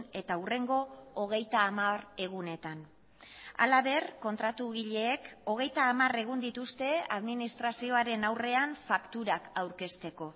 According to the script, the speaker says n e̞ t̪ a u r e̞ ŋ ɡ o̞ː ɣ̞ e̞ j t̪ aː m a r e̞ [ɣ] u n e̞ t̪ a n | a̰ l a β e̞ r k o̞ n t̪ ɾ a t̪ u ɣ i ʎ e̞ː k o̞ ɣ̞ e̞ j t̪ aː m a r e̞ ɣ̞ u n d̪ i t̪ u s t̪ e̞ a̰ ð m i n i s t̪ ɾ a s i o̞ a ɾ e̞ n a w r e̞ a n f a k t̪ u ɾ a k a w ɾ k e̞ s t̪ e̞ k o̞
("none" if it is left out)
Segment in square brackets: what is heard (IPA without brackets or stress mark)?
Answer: ɣ